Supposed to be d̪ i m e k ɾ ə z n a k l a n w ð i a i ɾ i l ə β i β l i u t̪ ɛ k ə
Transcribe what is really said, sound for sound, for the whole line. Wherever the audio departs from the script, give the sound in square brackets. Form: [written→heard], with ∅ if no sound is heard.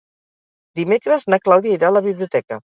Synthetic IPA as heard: d̪ i m e k ɾ ə z n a k l a [n→∅] w ð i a i ɾ [i→a] l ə β i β l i u t̪ ɛ k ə